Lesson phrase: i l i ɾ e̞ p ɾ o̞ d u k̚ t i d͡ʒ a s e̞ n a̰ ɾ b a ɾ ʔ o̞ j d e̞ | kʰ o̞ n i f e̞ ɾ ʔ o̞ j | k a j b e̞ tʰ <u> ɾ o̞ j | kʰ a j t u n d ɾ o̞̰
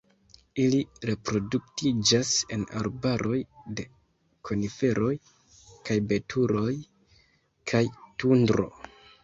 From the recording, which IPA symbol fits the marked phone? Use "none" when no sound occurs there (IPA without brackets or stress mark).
u